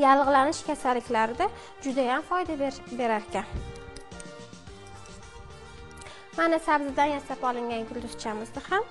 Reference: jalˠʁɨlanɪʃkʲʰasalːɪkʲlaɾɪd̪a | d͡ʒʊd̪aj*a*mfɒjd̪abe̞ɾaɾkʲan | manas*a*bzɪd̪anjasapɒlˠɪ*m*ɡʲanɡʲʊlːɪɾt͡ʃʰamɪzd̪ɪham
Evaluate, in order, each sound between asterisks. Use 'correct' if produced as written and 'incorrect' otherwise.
correct, correct, incorrect

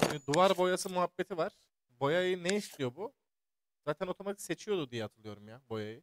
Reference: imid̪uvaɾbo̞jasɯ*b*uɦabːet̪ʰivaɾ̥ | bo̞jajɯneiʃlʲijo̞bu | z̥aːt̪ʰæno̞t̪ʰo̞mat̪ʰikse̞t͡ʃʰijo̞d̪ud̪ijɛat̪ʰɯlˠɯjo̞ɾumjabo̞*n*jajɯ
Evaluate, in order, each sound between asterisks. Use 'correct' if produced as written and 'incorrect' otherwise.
incorrect, incorrect

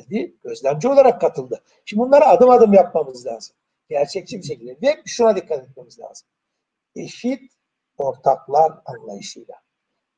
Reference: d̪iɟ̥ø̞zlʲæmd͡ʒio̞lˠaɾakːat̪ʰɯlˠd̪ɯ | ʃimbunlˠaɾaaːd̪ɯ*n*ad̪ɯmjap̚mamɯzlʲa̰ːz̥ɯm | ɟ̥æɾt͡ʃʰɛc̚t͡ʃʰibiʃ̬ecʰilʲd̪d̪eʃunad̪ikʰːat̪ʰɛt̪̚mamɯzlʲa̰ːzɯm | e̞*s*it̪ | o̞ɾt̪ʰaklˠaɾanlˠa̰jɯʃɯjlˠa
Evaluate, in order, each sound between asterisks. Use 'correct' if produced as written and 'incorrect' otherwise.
incorrect, incorrect

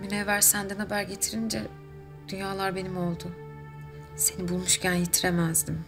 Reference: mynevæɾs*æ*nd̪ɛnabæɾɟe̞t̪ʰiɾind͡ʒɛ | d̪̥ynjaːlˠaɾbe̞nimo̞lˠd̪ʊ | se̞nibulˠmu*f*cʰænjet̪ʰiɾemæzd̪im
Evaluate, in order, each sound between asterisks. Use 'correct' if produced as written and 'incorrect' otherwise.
correct, incorrect

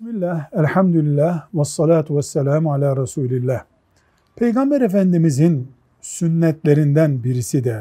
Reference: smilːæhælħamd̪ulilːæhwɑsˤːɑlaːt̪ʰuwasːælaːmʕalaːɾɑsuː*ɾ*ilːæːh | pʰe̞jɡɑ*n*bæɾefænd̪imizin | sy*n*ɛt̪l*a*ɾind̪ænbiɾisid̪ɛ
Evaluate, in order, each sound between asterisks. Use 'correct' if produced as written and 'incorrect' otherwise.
incorrect, incorrect, incorrect, incorrect

